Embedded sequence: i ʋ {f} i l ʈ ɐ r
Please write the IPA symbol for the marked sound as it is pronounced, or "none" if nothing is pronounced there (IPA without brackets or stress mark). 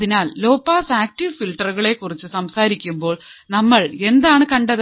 f